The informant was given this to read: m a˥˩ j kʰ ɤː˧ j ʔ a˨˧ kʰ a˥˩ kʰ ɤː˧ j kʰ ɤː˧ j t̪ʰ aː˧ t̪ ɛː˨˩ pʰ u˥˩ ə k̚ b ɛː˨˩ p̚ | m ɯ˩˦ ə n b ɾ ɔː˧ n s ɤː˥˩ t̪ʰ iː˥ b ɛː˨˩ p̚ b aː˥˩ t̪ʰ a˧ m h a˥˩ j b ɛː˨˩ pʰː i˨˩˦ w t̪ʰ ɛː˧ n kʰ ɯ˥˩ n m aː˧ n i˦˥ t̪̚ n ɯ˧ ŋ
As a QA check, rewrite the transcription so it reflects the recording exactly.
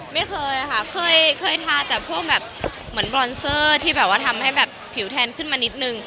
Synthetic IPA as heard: m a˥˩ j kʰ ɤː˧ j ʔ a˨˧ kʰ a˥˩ kʰ ɤː˧ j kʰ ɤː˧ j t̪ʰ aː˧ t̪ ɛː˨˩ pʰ u˥˩ ə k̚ b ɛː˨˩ p̚ | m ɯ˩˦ ə n b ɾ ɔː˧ n s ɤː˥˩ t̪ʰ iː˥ b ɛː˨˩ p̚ w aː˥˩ t̪ʰ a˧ m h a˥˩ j b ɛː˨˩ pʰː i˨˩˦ w t̪ʰ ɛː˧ n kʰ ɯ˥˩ n m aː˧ n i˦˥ t̪̚ n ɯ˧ ŋ